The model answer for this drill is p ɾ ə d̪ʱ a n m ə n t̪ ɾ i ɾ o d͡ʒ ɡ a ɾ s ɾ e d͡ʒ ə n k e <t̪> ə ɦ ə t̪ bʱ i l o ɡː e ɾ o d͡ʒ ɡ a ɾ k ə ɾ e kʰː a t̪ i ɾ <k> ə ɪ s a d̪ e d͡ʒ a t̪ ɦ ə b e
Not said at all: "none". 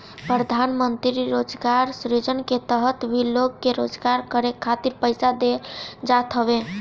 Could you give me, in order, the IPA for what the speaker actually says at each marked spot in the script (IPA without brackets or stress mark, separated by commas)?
t̪, p